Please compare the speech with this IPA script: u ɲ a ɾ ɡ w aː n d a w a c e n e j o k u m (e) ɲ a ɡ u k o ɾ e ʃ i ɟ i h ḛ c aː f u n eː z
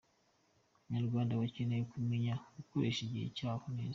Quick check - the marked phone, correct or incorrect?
correct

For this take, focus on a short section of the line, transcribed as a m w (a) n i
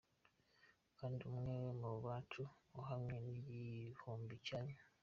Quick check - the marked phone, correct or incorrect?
incorrect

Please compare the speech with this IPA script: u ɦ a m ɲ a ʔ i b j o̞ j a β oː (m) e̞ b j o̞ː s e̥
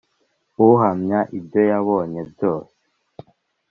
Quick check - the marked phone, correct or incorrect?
incorrect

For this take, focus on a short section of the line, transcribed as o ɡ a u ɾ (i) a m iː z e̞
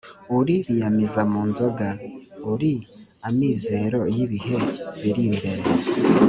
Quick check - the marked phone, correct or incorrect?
correct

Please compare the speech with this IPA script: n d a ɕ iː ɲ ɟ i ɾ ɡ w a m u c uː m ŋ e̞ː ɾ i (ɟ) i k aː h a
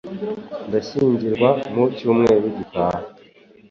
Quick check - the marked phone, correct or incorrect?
correct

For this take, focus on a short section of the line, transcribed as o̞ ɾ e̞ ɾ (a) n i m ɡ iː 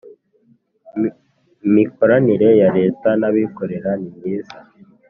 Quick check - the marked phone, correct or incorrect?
correct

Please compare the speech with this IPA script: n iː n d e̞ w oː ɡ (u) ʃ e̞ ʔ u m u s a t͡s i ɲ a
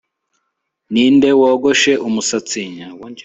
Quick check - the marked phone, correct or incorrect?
incorrect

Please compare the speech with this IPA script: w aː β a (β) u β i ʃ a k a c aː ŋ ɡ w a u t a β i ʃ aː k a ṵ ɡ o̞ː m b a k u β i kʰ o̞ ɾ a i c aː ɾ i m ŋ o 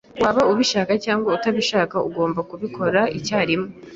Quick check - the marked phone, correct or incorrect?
incorrect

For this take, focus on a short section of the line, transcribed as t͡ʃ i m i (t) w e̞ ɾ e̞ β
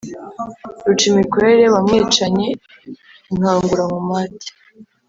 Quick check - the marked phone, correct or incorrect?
incorrect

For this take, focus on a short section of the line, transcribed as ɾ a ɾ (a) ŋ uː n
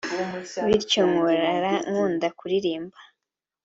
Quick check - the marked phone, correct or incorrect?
correct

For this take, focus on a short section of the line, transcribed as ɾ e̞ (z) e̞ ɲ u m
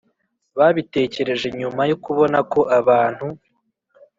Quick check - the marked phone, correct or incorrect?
incorrect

